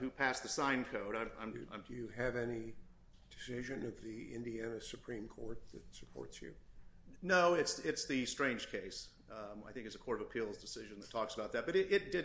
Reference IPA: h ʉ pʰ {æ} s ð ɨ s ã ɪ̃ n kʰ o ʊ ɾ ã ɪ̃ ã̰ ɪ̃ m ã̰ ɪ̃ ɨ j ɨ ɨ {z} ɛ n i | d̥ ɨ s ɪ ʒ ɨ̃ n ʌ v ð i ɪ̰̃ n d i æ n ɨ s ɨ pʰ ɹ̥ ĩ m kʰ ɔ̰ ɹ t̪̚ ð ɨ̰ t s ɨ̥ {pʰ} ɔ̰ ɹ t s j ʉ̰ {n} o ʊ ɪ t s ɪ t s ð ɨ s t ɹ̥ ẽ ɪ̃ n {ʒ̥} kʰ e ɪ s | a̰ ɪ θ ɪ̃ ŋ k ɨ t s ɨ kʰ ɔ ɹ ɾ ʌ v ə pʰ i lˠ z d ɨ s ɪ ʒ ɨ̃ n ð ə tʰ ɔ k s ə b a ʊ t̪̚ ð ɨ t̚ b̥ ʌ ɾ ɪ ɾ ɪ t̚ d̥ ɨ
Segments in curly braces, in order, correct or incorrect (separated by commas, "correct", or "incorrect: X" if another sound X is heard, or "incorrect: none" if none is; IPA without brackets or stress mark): correct, incorrect: v, correct, correct, correct